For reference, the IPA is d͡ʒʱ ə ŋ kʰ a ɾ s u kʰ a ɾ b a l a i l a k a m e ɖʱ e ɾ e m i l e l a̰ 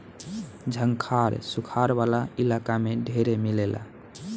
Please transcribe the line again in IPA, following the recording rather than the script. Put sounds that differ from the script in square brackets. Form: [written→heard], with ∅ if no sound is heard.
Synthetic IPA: d͡ʒʱ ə ŋ kʰ a ɾ s u kʰ a ɾ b a l a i l a k a m e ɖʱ e ɾ e m i l e l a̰

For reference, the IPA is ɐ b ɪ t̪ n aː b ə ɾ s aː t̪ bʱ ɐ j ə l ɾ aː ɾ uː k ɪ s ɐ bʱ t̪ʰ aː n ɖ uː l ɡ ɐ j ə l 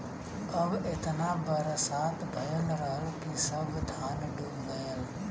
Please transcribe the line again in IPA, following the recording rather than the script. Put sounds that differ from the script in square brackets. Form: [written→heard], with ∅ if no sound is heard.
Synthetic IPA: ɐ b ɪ t̪ n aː b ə ɾ s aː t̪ bʱ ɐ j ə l ɾ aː ɾ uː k [ɪ→i] s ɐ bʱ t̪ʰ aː n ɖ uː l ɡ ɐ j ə l

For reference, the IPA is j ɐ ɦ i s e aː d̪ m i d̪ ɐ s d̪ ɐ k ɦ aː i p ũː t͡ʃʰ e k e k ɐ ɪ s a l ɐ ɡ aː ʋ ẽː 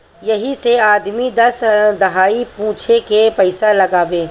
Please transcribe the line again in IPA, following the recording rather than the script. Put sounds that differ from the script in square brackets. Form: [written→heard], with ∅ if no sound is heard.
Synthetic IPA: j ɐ ɦ i s e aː d̪ m i d̪ ɐ s d̪ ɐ [k→∅] ɦ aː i p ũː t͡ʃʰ e k e [k→p] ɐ ɪ s a l ɐ ɡ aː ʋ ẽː

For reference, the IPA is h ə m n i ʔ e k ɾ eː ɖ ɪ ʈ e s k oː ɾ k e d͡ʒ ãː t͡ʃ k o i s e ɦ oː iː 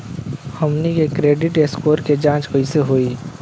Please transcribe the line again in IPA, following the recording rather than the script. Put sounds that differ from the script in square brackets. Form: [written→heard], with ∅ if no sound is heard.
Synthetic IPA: h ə m n i [ʔ→k] e k ɾ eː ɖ ɪ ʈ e s k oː ɾ k e d͡ʒ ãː t͡ʃ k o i s e ɦ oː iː

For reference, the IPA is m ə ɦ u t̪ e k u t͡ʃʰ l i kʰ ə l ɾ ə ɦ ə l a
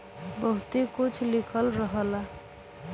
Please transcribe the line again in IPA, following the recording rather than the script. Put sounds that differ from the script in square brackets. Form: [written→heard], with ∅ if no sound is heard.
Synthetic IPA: [m→b] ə ɦ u t̪ e k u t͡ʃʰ l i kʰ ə l ɾ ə ɦ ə l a

